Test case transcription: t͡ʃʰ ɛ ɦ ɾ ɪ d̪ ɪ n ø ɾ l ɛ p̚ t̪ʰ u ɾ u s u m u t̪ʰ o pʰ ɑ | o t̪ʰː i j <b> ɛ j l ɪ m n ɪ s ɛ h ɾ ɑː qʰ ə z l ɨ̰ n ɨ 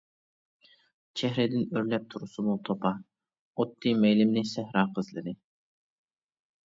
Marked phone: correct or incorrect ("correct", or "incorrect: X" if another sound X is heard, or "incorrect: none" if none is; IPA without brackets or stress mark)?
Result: incorrect: m